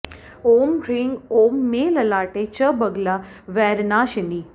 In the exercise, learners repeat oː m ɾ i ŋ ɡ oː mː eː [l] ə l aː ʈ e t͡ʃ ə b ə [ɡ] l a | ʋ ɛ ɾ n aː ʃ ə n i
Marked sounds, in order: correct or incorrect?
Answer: correct, correct

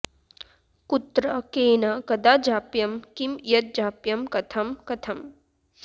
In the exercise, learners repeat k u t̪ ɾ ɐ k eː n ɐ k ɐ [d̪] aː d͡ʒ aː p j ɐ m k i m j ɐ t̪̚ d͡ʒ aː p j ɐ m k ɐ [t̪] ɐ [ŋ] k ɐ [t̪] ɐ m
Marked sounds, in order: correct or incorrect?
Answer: correct, incorrect, incorrect, incorrect

